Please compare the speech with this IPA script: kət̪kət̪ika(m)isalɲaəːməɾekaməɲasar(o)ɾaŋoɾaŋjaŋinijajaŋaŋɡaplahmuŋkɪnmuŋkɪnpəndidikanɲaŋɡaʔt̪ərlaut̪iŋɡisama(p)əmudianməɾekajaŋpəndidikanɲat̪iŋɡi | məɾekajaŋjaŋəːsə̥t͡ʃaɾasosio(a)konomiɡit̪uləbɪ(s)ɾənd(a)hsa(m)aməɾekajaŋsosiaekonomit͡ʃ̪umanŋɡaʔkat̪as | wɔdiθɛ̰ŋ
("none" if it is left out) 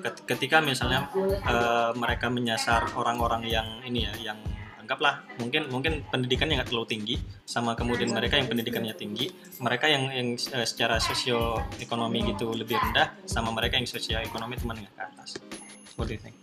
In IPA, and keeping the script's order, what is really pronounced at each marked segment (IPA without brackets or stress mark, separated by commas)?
m, o, k, e, h, a, m